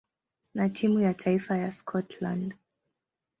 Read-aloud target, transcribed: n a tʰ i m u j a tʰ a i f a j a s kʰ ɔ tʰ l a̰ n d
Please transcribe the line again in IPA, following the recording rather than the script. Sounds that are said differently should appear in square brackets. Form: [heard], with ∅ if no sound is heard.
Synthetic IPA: n a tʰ i m u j a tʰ a i f a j a s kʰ ɔ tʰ l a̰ n d